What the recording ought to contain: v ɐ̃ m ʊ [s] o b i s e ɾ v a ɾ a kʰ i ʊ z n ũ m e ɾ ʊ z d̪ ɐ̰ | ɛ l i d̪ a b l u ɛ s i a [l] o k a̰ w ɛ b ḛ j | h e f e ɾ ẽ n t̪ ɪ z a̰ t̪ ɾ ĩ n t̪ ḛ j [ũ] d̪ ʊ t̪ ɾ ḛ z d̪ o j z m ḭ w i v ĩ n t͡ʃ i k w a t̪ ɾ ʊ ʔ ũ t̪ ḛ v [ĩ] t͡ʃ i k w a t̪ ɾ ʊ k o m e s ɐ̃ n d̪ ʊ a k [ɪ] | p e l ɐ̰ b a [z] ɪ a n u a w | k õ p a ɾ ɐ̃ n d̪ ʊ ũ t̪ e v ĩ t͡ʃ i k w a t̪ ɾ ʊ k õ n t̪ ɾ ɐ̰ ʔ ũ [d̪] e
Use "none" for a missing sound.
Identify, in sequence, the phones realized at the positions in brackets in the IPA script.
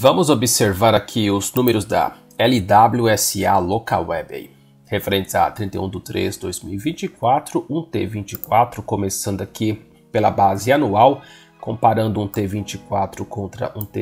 z, l, ũ, ĩ, i, z, t̪

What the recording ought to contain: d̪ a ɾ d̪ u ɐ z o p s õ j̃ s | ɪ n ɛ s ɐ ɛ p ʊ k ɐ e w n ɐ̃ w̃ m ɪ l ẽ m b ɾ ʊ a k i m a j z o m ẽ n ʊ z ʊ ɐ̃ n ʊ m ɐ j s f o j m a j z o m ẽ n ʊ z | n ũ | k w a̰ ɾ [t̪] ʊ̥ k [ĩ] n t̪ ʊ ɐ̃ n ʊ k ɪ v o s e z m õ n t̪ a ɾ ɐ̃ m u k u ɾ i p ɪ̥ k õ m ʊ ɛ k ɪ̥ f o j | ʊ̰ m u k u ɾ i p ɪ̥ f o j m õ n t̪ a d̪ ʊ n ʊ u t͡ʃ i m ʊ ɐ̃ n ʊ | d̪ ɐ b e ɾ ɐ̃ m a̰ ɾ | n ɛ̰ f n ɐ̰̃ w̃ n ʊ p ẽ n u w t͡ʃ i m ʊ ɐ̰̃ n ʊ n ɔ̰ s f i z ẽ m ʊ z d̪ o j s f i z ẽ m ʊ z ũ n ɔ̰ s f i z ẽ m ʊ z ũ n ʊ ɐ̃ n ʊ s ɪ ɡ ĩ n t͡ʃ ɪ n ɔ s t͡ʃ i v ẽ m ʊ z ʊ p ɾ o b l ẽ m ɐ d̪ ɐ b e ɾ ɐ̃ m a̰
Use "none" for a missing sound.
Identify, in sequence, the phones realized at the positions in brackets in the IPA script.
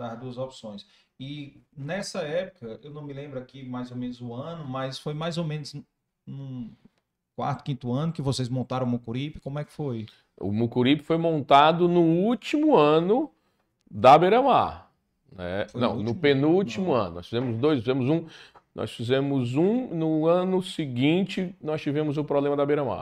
t̪, ĩ

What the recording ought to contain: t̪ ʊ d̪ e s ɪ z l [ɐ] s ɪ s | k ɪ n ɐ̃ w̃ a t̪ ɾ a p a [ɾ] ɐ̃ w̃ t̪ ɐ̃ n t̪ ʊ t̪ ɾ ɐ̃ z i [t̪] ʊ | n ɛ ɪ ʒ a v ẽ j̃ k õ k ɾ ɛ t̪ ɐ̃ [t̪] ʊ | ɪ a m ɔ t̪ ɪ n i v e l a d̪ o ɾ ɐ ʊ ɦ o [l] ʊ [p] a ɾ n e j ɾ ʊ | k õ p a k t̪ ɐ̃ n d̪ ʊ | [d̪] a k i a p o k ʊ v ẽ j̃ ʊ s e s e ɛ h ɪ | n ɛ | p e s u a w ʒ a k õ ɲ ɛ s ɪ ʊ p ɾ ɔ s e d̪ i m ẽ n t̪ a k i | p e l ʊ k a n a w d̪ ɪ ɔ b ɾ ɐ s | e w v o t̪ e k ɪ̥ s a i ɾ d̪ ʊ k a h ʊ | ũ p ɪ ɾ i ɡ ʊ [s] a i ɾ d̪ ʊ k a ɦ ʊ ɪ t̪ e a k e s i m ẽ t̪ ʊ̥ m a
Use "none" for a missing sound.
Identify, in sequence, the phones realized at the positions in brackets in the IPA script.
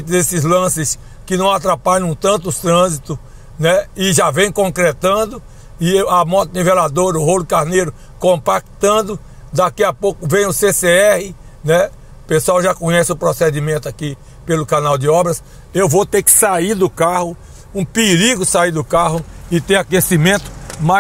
ɐ̃, ʎ, t̪, d̪, l, k, d̪, s

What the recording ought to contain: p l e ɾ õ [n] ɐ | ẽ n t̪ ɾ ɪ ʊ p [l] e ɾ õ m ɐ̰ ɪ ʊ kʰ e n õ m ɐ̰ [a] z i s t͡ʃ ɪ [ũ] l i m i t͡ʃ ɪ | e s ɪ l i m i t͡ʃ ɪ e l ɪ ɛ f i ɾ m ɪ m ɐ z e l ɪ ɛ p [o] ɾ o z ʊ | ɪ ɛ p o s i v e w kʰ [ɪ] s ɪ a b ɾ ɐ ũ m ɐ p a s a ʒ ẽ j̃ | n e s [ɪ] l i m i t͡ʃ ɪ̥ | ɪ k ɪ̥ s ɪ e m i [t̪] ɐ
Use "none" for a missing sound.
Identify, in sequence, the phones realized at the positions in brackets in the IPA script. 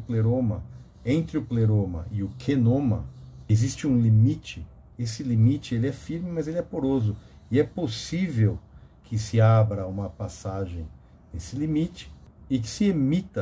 m, l, e, ũ, o, ɪ, ɪ, t̪

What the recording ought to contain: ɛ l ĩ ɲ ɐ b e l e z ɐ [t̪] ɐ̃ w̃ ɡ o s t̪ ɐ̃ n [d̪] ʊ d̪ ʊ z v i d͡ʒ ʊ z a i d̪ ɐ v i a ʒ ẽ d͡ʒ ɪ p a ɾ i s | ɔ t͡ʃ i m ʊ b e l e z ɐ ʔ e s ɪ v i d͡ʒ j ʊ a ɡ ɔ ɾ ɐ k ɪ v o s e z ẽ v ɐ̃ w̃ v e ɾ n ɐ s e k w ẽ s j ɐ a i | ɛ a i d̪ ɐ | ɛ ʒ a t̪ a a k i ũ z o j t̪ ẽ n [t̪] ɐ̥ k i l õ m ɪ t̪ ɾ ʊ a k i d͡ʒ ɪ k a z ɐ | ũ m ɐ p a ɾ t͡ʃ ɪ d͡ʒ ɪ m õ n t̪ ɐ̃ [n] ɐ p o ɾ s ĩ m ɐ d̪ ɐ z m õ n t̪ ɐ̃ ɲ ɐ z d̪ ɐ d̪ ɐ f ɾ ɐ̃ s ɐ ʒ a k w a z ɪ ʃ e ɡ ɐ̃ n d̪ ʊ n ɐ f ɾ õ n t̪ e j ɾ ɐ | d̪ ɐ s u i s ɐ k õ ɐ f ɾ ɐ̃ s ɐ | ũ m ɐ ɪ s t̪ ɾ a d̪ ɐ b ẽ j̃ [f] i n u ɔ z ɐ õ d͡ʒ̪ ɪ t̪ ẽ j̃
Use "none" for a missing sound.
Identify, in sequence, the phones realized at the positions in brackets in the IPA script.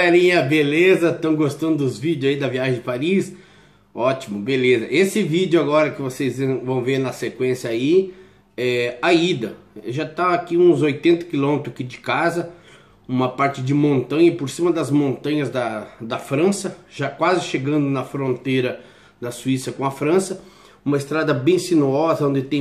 t̪, d̪, t̪, ɲ, s

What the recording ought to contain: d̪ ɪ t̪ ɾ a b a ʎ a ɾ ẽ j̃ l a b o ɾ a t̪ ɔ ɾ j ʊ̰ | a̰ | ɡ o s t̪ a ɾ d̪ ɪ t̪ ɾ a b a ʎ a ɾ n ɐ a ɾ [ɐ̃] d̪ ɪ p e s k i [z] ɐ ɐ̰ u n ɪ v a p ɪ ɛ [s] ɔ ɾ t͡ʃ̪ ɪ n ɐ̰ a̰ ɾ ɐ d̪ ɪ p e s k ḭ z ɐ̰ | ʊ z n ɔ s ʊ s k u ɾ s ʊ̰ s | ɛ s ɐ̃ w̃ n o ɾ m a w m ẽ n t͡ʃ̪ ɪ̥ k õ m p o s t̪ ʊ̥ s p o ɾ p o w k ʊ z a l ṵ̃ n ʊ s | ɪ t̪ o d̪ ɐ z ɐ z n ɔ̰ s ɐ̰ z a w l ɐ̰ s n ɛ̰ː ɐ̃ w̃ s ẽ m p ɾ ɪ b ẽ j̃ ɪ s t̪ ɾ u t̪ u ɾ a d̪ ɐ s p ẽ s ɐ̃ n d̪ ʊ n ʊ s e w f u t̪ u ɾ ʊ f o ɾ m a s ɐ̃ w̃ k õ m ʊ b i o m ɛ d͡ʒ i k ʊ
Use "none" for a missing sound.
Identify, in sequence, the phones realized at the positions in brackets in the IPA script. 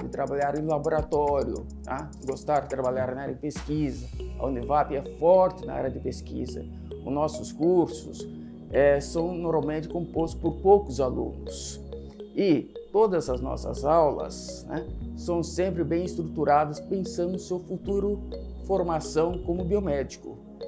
ɐ, z, f

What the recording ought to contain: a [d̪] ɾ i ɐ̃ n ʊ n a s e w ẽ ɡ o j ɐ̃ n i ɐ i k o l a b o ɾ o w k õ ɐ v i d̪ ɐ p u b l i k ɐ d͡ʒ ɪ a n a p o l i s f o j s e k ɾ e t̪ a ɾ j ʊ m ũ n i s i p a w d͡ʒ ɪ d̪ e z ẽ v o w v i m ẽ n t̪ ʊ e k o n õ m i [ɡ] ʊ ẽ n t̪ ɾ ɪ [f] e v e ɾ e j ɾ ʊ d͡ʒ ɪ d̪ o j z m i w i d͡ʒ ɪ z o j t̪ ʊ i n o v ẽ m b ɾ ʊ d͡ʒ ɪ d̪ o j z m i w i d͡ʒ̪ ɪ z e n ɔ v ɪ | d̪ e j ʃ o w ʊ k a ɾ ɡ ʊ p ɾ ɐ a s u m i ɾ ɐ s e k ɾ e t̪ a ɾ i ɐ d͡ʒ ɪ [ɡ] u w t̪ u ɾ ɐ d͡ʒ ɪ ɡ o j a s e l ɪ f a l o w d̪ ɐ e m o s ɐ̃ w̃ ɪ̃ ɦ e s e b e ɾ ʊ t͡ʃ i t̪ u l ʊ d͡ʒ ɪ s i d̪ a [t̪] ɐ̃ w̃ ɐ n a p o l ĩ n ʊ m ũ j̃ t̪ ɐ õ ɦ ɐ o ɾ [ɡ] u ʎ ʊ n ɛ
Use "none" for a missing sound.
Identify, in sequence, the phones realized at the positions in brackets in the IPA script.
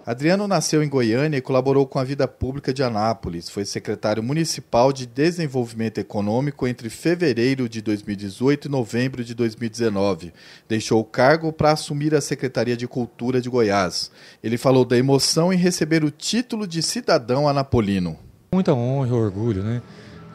d̪, k, f, k, d̪, ɡ

